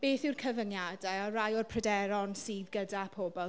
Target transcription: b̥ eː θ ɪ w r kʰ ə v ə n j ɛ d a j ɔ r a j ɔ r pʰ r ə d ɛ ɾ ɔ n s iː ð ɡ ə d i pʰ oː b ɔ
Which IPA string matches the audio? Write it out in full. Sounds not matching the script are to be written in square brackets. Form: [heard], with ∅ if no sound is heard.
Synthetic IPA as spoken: b̥ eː θ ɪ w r kʰ ə v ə n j [a] d a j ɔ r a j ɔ r pʰ r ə d ɛ ɾ ɔ n s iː ð ɡ ə d [a] pʰ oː b ɔ